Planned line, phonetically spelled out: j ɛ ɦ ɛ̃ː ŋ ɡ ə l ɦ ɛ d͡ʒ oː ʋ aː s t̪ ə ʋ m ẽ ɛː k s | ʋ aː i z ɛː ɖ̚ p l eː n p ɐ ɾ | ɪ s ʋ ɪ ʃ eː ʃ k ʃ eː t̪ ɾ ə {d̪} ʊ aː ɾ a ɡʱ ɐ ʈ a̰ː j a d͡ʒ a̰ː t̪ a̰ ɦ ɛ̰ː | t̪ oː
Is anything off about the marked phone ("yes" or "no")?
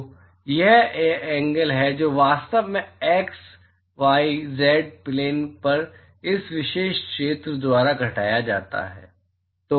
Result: no